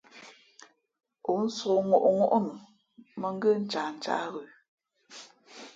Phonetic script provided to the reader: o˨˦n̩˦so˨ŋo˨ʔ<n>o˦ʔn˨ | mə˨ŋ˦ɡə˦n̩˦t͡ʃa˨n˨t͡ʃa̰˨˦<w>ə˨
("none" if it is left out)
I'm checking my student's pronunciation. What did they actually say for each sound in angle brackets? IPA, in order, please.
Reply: ŋ, ɣ

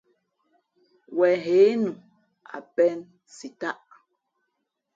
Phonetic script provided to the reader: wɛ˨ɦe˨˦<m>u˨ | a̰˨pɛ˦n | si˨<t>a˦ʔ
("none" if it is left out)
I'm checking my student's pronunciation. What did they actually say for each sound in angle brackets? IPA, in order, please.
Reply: n, t

